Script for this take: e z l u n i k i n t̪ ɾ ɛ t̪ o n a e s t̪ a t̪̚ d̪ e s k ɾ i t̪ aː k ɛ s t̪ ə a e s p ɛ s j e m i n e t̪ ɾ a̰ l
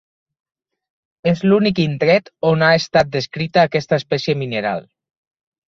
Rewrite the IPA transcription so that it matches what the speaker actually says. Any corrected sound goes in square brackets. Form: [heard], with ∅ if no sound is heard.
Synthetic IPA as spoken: e z l u n i k i n t̪ ɾ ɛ t̪ o n a e s t̪ a t̪̚ d̪ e s k ɾ i t̪ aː k ɛ s t̪ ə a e s p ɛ s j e m i n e [∅] ɾ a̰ l